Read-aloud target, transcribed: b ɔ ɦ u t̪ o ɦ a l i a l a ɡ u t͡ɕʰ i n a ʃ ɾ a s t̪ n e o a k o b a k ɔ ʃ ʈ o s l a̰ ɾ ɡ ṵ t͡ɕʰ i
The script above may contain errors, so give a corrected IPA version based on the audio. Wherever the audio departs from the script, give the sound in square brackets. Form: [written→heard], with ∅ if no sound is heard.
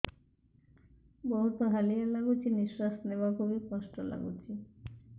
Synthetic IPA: b ɔ ɦ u t̪ o ɦ a l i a l a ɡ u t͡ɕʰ i n [a→i] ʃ ɾ a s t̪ n e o a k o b [a→e] k ɔ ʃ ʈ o [s→∅] l a̰ [ɾ→∅] ɡ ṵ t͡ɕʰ i